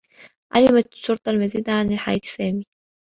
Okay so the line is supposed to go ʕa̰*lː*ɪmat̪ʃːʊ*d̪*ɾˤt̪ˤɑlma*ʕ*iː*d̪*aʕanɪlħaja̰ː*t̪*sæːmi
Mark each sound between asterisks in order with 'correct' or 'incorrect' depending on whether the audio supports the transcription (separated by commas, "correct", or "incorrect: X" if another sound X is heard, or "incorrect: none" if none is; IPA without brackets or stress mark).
incorrect: l, incorrect: none, incorrect: z, correct, correct